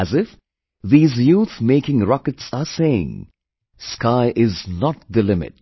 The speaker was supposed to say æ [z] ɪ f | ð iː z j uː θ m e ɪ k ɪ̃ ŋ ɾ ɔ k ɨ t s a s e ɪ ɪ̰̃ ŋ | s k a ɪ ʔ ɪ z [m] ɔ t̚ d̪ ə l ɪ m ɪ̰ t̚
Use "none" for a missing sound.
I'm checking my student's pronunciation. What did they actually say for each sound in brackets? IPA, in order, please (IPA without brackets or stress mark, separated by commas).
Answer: z, n